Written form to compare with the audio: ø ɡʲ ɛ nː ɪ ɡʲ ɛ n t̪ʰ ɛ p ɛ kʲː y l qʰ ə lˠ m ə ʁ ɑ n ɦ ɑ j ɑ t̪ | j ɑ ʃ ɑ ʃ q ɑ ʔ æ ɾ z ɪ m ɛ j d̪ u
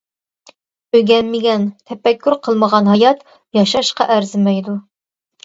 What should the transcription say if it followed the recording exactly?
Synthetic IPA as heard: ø ɡʲ ɛ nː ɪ ɡʲ ɛ n t̪ʰ ɛ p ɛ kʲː y ɾ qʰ ə lˠ m ə ʁ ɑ n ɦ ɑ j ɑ t̪ | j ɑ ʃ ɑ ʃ q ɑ ʔ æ ɾ z ɪ m ɛ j d̪ u